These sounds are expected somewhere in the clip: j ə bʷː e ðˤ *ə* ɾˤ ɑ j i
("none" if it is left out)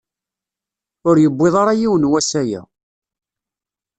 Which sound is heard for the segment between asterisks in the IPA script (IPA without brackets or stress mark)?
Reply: ɑ